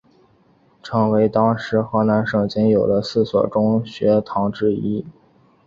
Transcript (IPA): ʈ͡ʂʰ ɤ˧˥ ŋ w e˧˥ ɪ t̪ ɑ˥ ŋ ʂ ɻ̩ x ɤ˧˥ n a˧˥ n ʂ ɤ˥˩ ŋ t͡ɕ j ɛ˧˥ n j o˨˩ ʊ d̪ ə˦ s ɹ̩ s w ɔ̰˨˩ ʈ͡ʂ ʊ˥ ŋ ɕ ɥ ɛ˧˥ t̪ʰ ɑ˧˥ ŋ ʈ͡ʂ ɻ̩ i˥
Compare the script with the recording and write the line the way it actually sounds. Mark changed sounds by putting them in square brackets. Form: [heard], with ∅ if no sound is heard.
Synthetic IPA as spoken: ʈ͡ʂʰ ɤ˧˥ ŋ w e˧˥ ɪ t̪ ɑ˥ ŋ ʂ ɻ̩ x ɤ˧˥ n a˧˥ n ʂ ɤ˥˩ ŋ t͡ɕ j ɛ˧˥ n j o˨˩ ʊ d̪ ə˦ s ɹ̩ s w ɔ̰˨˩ ʈ͡ʂ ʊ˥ ŋ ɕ ɥ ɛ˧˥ t̪ʰ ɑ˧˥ ŋ ʈ͡ʂ ɻ̩ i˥